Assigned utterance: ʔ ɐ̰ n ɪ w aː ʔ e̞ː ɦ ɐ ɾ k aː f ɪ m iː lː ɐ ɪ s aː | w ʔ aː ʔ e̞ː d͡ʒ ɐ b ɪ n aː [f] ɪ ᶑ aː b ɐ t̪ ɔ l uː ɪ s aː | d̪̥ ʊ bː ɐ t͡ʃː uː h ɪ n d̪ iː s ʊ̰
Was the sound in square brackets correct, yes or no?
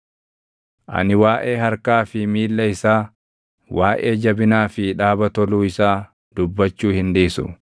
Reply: yes